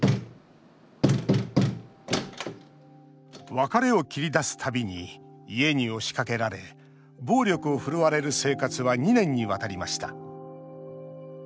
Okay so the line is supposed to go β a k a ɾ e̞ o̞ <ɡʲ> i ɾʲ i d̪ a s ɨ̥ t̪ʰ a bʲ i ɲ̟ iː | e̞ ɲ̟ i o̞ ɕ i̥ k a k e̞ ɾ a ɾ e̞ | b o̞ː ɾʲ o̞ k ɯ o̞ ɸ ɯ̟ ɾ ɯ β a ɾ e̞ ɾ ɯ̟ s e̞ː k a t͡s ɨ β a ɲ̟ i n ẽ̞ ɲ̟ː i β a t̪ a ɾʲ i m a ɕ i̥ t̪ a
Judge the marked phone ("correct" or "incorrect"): incorrect